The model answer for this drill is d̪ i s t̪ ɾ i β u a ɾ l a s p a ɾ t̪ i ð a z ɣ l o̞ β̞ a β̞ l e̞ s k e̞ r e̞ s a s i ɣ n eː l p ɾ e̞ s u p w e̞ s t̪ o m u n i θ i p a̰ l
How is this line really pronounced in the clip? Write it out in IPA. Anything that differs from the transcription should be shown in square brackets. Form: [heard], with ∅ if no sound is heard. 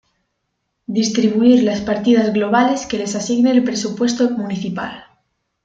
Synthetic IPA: d̪ i s t̪ ɾ i β u [i] ɾ l a s p a ɾ t̪ i ð a z ɣ l o̞ β̞ a [∅] l e̞ s k e̞ [l] e̞ s a s i ɣ n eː l p ɾ e̞ s u p w e̞ s t̪ o m u n i θ i p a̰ l